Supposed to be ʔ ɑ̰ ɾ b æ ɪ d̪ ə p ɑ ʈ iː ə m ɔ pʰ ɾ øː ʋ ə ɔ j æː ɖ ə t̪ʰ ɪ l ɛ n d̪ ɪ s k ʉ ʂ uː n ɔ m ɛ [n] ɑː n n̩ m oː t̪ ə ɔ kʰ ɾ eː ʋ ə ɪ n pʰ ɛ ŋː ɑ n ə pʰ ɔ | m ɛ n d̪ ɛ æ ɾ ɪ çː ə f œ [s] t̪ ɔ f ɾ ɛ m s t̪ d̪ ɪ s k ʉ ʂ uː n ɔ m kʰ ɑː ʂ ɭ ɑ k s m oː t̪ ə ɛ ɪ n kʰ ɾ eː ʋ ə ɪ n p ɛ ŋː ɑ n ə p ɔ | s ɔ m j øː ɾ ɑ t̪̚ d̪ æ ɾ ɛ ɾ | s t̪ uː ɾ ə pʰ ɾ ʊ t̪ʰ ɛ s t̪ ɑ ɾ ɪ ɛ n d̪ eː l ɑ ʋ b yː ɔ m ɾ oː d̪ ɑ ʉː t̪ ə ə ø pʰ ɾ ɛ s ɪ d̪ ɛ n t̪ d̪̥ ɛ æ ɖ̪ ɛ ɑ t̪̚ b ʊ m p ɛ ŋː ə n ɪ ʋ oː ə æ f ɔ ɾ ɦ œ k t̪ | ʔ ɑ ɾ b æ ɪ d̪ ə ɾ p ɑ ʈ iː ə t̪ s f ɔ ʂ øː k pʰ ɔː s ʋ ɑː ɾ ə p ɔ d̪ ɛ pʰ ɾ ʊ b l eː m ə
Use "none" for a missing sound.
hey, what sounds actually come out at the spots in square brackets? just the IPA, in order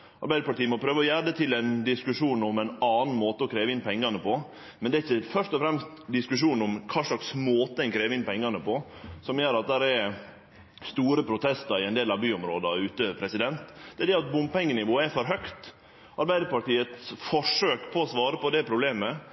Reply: n, ʂ

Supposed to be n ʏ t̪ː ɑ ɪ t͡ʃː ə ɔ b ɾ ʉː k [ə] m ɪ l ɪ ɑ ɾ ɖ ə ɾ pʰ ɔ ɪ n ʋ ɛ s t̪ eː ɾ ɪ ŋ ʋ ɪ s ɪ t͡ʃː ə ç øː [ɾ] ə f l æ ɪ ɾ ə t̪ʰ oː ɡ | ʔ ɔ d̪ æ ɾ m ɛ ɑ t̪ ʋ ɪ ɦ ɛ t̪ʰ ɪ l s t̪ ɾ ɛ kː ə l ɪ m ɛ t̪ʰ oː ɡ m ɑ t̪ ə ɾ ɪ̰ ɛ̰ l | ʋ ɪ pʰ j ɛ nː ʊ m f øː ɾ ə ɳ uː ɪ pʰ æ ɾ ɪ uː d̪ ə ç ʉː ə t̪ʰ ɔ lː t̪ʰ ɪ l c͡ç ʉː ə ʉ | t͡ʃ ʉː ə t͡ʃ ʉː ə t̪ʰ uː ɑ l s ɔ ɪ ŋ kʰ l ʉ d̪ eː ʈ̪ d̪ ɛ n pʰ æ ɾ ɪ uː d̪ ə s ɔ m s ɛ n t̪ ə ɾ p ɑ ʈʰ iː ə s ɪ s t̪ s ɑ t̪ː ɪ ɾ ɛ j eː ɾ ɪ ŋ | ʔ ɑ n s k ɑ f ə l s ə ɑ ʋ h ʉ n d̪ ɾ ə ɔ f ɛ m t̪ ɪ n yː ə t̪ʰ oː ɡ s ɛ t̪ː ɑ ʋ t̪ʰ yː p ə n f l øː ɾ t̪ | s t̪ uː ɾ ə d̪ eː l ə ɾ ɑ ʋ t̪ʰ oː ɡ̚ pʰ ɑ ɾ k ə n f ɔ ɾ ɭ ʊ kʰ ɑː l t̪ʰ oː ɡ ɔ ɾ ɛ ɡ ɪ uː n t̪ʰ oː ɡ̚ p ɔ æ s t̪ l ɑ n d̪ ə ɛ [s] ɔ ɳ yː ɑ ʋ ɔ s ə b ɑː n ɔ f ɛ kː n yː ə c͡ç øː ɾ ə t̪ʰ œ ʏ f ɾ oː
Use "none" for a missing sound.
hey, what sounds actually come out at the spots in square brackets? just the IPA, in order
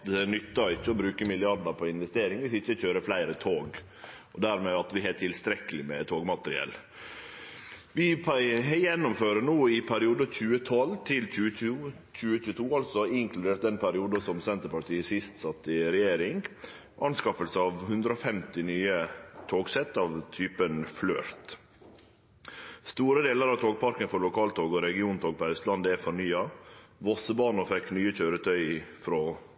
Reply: ə, ɾ, f

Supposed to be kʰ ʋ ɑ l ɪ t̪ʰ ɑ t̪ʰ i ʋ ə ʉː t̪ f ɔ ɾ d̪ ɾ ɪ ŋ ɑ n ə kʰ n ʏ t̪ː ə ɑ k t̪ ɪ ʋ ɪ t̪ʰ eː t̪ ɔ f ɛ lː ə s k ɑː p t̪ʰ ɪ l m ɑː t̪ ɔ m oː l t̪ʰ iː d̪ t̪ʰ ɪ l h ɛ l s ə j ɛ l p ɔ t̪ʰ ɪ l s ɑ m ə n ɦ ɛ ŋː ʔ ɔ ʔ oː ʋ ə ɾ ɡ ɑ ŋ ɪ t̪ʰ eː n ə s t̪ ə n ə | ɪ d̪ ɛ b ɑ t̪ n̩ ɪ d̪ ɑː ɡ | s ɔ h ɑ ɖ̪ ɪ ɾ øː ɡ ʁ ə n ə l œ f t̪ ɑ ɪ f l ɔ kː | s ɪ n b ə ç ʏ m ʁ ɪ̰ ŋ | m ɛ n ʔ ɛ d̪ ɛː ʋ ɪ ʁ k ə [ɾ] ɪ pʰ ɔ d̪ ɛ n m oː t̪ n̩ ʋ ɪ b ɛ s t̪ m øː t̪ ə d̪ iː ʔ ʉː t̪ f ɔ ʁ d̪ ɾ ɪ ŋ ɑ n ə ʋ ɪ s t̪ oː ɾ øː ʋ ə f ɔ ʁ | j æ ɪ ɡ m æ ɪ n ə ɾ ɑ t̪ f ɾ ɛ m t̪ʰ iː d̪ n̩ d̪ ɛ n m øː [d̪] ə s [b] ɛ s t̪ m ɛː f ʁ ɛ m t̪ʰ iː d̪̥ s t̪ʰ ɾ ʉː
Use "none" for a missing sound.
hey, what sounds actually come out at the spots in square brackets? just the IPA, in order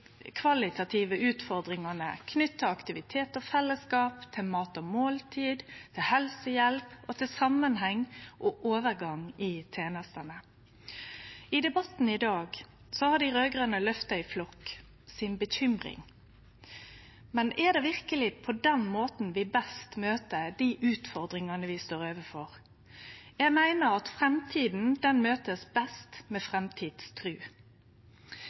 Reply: l, t̪, b

